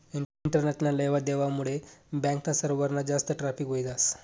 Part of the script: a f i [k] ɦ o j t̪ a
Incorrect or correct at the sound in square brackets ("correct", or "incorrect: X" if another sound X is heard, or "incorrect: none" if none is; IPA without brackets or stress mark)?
correct